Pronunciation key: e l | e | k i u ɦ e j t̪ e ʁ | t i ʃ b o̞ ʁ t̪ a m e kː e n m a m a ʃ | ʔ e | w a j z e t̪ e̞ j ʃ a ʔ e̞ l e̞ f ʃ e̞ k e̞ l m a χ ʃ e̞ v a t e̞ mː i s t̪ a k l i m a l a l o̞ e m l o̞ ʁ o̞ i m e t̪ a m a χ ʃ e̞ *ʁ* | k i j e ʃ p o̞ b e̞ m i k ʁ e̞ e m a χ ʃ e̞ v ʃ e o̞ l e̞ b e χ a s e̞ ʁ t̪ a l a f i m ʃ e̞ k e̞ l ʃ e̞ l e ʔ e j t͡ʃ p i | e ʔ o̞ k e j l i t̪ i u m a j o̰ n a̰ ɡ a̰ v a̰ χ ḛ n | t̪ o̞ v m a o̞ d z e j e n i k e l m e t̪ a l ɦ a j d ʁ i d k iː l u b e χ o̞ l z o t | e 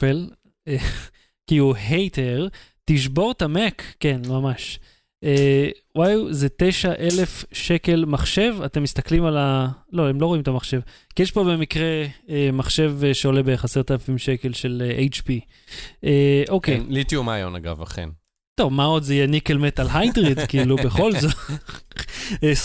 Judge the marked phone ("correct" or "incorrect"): incorrect